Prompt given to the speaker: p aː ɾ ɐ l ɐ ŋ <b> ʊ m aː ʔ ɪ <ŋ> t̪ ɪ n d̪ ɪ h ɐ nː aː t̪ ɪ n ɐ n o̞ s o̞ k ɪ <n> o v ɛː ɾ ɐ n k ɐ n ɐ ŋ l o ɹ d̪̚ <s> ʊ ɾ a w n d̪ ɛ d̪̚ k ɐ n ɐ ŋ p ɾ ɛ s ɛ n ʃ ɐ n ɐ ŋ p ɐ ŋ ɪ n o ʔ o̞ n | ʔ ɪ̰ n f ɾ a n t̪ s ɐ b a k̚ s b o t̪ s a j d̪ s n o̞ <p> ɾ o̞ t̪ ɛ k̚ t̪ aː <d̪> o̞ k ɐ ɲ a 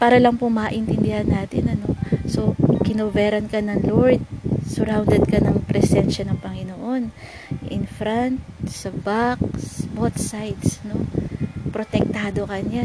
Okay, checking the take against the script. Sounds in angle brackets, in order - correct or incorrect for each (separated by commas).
incorrect, incorrect, correct, correct, correct, correct